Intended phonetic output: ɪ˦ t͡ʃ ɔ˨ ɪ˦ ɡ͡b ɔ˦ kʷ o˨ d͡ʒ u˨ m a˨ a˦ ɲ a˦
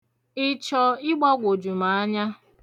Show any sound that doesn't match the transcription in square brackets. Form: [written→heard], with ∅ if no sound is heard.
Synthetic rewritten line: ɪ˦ t͡ʃ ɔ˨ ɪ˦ ɡ͡b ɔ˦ [kʷ→ɡʷ] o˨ d͡ʒ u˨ m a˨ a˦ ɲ a˦